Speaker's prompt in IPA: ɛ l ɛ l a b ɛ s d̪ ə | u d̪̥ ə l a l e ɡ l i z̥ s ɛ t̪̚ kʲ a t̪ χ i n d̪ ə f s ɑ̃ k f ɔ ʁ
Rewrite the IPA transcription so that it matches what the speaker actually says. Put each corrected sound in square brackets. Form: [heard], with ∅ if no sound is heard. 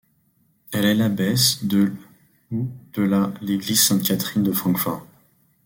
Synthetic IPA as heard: ɛ l ɛ l a b ɛ s d̪ ə | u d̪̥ ə l a l e ɡ l i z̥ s [ɛ̃] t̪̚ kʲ a t̪ χ i n d̪ ə f [χ] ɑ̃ k f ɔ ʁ